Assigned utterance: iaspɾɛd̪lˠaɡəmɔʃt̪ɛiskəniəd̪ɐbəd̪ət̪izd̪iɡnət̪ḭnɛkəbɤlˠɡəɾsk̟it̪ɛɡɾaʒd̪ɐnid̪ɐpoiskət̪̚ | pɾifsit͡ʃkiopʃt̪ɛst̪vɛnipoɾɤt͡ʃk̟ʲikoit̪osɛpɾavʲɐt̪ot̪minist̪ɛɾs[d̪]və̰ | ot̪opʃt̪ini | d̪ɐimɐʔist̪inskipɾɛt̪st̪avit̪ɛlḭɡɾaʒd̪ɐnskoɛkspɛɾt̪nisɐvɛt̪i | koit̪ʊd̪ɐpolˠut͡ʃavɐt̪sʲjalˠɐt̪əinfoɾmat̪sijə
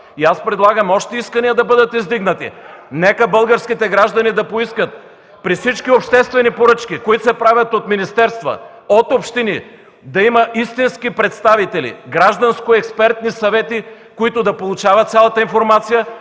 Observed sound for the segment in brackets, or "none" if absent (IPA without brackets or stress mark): t̪